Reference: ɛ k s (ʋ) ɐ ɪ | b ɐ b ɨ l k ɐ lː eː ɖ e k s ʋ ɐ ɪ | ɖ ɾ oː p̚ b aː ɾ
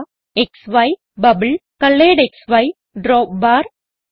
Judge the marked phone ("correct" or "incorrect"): correct